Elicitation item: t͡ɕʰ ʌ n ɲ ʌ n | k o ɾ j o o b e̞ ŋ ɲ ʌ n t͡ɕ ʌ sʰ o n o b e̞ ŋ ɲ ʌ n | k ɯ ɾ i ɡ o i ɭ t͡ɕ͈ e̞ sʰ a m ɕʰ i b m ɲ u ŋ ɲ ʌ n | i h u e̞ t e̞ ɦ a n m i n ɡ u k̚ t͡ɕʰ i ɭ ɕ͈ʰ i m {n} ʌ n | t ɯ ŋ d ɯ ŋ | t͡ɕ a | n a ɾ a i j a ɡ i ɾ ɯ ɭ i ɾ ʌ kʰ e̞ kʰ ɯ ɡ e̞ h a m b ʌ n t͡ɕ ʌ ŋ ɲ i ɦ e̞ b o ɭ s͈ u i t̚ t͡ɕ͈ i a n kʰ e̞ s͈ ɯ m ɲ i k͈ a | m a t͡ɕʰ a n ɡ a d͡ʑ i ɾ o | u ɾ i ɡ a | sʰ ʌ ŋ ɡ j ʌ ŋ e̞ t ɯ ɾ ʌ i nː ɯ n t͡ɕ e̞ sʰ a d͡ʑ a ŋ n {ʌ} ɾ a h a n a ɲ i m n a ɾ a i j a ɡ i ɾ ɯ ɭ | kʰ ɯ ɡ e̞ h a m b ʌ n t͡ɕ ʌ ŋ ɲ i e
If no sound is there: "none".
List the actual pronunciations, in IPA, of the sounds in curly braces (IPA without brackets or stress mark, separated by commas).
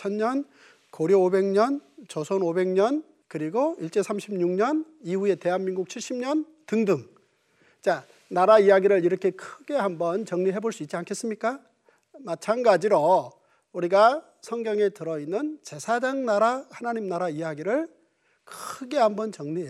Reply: ɲ, a